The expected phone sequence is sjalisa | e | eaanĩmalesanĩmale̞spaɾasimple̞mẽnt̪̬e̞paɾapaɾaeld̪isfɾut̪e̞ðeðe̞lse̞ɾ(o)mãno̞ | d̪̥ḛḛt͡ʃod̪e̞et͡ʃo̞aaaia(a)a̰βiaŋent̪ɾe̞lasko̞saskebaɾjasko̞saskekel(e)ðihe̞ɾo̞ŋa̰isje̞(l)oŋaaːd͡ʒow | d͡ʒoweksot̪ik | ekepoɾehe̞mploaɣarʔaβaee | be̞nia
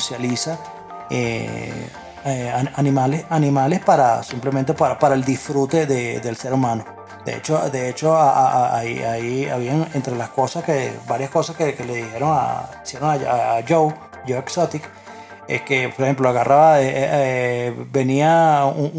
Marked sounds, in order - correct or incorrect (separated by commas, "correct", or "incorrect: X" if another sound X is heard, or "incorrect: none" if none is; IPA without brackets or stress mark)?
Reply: incorrect: u, incorrect: i, correct, incorrect: ɾ